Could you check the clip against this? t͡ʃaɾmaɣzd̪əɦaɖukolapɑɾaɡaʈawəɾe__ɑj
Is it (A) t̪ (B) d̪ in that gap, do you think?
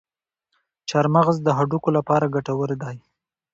B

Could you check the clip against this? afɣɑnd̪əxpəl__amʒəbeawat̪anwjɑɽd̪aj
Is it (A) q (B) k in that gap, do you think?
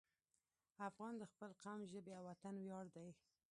A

